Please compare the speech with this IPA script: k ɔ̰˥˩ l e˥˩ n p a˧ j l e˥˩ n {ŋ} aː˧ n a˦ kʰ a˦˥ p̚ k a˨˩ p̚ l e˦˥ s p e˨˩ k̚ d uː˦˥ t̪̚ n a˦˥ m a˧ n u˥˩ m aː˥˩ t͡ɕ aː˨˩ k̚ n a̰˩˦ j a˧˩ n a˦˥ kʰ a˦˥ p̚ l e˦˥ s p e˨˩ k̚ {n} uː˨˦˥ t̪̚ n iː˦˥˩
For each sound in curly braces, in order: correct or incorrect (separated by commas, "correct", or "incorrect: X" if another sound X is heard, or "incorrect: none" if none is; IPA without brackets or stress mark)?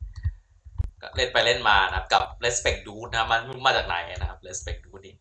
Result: incorrect: m, incorrect: d